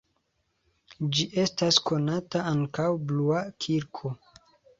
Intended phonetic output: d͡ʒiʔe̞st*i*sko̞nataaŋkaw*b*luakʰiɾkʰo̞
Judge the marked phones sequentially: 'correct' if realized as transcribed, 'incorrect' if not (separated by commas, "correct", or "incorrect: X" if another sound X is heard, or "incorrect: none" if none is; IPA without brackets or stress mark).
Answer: incorrect: a, correct